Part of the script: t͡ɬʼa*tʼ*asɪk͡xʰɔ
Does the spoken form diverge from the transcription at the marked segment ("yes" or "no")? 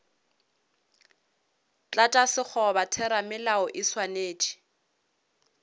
no